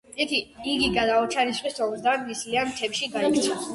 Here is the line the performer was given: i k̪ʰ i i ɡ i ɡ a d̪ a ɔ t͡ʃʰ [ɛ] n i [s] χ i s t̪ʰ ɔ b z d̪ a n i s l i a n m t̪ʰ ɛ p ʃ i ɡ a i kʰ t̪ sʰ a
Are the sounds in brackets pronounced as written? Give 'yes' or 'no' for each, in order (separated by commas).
no, yes